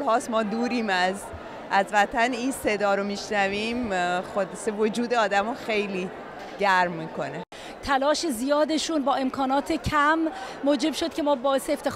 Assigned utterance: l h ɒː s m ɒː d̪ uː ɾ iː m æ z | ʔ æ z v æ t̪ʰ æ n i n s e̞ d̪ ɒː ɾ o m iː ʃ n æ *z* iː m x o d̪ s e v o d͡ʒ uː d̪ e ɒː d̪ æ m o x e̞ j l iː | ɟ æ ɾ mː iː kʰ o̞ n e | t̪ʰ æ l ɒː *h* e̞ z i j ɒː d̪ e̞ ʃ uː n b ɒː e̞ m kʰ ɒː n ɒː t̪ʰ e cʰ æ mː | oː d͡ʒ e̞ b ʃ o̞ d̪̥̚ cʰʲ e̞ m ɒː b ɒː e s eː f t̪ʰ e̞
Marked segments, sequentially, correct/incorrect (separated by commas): incorrect, incorrect